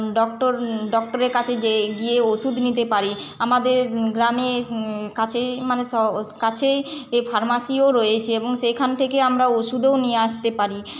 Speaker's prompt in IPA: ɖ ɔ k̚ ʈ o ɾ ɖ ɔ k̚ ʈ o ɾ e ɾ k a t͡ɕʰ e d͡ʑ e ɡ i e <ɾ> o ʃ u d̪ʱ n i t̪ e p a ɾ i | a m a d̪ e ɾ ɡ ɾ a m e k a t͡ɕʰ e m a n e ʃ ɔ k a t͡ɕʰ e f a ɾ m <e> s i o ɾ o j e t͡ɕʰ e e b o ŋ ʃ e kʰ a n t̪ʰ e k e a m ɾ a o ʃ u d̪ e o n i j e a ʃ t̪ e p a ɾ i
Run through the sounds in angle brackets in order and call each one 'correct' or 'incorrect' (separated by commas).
incorrect, incorrect